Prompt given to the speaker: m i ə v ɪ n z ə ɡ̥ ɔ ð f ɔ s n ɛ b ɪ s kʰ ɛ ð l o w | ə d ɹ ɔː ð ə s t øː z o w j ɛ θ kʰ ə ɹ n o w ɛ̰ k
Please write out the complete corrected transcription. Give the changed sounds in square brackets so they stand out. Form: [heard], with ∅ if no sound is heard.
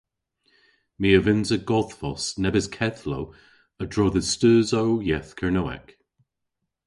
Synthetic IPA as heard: m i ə v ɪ n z ə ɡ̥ ɔ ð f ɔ s n ɛ b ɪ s kʰ ɛ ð l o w | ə d ɹ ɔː ð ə s t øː z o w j ɛ θ kʰ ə ɹ n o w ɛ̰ k